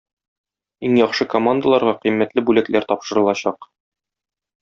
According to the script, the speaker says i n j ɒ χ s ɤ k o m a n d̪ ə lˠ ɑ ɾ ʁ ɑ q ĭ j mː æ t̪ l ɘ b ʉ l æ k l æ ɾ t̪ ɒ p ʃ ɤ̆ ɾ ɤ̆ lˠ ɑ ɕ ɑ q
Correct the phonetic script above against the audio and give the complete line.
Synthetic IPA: i ŋ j ɒ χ ʃ ɤ k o m a n d̪ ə lˠ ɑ ɾ ʁ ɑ q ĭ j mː æ t̪ l ɘ b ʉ l æ k l æ ɾ t̪ ɒ p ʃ ɤ̆ ɾ ɤ̆ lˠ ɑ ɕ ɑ q